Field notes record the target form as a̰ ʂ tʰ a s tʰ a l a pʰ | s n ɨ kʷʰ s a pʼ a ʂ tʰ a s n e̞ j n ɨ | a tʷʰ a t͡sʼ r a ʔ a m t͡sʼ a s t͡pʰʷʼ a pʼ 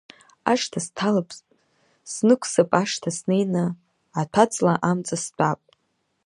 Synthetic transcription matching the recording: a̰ ʂ tʰ a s tʰ a l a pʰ | s n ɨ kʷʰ s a pʼ a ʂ tʰ a s n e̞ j n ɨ | a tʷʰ a t͡sʼ l a ʔ a m t͡sʼ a s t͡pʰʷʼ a pʼ